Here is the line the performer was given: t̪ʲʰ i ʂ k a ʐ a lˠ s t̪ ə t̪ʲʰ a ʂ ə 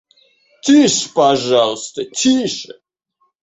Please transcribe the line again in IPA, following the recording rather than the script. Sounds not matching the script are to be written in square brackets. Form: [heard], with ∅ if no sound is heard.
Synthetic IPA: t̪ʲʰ i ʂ [p] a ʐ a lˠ s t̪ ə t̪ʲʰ [i] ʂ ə